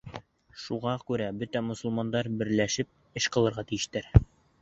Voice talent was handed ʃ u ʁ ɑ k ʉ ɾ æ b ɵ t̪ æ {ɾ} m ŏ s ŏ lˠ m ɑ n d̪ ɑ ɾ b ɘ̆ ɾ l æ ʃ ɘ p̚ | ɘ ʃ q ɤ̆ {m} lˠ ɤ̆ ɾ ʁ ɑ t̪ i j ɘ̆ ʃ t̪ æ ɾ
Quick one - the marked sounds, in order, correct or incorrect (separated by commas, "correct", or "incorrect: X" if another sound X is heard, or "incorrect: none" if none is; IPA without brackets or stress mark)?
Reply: incorrect: none, incorrect: none